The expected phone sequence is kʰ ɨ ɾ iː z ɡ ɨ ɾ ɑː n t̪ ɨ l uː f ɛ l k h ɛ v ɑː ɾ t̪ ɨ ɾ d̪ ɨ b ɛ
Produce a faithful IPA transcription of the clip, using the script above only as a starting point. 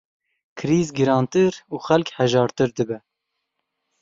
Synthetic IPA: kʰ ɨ ɾ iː z ɡ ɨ ɾ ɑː n t̪ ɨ ɾ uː x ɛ l k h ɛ ʒ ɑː ɾ t̪ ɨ ɾ d̪ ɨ b ɛ

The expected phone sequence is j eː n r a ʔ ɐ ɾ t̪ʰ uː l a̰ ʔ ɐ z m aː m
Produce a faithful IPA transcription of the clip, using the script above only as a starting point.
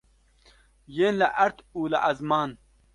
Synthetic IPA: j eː n l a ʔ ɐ ɾ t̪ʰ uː l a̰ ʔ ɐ z m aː n

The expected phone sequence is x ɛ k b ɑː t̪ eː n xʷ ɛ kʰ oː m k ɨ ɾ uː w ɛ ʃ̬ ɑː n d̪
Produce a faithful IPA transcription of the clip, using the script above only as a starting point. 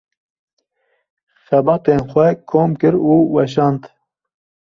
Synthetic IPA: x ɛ b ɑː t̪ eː n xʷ ɛ kʰ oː m k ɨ ɾ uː w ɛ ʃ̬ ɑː n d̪

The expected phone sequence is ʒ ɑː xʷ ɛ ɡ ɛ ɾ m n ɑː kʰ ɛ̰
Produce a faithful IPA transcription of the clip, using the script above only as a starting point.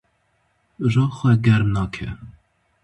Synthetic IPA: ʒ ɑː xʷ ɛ ɡ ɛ ɾ m n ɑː kʰ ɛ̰

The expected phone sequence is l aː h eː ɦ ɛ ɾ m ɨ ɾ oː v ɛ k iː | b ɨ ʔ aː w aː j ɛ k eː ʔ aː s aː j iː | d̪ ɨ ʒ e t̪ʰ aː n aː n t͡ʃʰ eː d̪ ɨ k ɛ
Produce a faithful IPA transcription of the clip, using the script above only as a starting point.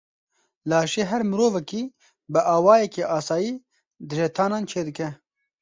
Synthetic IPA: l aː ʃ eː ɦ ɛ ɾ m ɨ ɾ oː v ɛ k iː | b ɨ ʔ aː w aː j ɛ k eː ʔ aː s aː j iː | d̪ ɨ ʒ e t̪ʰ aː n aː n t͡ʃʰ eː d̪ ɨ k ɛ

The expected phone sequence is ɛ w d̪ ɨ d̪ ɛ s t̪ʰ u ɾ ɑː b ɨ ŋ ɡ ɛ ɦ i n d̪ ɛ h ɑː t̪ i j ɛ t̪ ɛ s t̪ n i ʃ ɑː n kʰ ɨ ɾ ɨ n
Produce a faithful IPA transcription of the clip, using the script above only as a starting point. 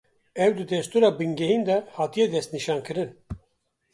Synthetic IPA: ɛ w d̪ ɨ d̪ ɛ s t̪ u ɾ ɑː b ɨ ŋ ɡ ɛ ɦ i n d̪ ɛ h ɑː t̪ i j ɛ d̪ ɛ s t̪ n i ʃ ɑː n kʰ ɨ ɾ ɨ n

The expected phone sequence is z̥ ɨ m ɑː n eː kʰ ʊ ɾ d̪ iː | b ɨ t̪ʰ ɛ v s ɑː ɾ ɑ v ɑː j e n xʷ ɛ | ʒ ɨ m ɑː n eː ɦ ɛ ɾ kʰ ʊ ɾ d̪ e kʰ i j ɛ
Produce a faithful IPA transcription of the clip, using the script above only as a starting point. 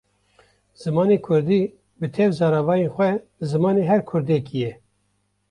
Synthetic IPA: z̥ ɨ m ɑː n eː kʰ ʊ ɾ d̪ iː | b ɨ t̪ʰ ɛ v z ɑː ɾ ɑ v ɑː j e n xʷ ɛ | z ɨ m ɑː n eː ɦ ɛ ɾ kʰ ʊ ɾ d̪ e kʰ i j ɛ

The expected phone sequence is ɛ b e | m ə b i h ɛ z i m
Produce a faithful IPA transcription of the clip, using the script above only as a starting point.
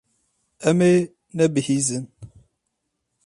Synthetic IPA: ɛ m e | n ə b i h i z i n

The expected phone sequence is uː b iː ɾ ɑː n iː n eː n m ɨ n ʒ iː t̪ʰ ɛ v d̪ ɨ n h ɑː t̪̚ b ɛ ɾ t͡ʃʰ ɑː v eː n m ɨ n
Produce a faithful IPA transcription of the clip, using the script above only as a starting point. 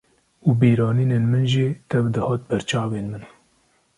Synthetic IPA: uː b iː ɾ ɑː n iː n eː n m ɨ n ʒ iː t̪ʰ ɛ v d̪ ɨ h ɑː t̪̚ b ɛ ɾ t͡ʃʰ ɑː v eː n m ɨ n

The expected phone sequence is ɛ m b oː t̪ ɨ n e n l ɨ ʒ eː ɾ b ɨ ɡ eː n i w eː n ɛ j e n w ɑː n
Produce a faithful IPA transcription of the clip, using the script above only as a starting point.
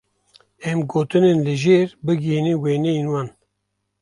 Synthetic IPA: ɛ m ɡ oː t̪ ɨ n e n l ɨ ʒ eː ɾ b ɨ ɡ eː n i w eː n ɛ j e n w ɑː n

